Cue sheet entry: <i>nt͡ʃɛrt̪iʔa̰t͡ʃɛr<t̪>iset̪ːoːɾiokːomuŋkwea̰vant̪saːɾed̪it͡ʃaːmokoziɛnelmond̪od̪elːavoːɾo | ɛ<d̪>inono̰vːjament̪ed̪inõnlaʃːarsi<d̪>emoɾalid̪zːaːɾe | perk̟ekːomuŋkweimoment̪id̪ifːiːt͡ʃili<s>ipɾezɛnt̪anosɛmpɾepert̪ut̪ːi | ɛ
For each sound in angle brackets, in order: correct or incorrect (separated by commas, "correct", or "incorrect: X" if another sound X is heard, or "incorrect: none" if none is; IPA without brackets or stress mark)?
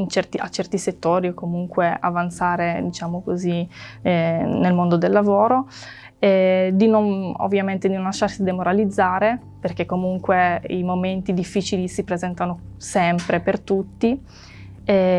correct, correct, correct, correct, correct